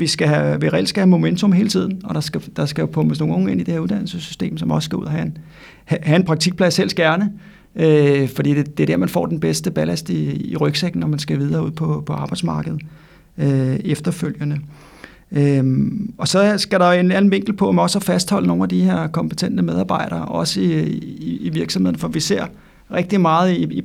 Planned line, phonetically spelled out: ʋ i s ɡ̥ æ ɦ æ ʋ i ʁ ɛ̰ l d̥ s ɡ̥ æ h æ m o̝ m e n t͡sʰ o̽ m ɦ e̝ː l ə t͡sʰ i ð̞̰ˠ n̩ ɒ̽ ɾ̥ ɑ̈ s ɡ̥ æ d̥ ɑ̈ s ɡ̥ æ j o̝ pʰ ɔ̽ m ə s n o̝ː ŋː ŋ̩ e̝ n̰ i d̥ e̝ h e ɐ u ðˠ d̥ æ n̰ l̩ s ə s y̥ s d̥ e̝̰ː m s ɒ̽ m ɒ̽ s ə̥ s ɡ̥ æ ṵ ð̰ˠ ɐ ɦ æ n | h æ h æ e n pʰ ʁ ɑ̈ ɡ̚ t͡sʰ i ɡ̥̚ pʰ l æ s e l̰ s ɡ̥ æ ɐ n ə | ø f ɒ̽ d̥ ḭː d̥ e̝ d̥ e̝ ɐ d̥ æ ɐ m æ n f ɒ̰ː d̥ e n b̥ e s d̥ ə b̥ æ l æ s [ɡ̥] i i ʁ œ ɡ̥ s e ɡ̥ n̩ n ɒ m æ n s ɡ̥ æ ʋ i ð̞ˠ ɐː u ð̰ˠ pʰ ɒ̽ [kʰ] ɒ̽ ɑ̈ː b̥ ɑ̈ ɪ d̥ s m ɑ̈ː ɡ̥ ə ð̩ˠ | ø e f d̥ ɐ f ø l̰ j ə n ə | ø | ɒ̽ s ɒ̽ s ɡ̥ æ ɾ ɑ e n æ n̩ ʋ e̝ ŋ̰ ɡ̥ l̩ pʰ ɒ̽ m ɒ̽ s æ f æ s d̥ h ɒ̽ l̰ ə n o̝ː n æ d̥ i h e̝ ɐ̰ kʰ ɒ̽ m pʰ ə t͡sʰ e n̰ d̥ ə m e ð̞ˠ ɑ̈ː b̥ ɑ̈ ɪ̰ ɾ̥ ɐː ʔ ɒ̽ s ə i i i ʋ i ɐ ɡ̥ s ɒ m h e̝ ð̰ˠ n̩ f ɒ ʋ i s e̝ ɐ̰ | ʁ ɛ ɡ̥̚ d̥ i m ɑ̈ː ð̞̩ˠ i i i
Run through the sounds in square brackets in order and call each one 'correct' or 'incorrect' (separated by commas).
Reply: incorrect, incorrect